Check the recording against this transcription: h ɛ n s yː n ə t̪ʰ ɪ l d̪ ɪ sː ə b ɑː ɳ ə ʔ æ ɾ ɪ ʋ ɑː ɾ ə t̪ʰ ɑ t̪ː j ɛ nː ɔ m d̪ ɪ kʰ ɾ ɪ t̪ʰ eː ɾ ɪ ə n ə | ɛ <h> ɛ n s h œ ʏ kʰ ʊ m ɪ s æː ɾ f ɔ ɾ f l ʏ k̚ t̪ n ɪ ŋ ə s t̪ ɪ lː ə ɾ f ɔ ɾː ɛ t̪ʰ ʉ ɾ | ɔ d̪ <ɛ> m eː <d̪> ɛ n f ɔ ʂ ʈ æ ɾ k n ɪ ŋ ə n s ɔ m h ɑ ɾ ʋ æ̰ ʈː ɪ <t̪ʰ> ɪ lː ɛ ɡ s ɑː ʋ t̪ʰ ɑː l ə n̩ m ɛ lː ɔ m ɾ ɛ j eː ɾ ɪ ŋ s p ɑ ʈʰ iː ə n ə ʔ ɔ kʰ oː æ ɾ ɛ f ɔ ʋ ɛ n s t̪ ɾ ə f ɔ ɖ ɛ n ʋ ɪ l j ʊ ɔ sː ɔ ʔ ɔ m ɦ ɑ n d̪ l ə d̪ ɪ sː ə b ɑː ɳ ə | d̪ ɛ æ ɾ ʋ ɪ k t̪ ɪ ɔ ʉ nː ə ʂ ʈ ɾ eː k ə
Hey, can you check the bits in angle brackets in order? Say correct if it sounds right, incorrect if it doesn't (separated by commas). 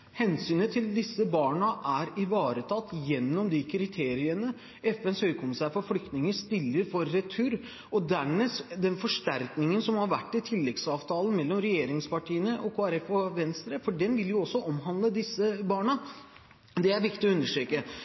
incorrect, incorrect, correct, correct